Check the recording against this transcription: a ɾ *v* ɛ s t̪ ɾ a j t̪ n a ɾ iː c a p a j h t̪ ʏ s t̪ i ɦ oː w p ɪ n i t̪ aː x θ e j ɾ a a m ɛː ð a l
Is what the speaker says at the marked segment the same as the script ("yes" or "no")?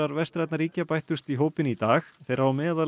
yes